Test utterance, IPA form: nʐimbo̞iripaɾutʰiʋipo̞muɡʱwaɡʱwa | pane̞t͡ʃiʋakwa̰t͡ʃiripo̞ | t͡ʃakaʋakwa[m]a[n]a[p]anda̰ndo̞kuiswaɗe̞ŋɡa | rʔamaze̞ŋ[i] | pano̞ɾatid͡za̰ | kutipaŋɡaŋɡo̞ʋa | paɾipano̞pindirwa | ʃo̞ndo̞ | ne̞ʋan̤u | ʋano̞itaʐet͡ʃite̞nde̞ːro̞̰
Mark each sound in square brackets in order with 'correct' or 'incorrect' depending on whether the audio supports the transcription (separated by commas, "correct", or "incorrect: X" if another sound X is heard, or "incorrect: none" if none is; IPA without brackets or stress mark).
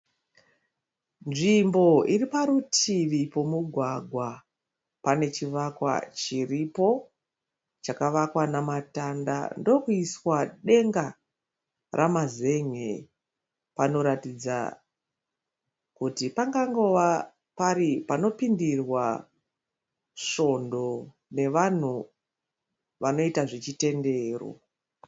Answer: incorrect: n, incorrect: m, incorrect: t, incorrect: e